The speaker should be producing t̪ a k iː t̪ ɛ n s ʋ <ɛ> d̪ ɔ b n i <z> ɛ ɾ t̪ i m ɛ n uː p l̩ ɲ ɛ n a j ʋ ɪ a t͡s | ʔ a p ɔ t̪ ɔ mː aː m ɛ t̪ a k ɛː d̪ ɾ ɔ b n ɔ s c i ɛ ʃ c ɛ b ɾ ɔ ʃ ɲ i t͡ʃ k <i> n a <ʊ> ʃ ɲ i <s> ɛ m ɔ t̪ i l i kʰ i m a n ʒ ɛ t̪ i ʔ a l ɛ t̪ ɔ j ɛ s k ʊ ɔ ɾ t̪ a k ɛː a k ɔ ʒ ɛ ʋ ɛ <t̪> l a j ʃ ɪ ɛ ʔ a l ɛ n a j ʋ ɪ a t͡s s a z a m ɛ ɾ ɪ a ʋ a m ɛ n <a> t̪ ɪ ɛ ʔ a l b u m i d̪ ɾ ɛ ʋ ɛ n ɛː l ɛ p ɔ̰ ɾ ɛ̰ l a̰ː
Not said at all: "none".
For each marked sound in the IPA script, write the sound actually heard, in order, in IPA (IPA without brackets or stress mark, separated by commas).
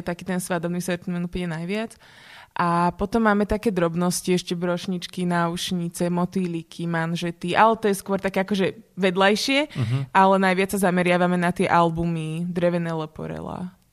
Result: a, s, i, u, t͡s, d̪, a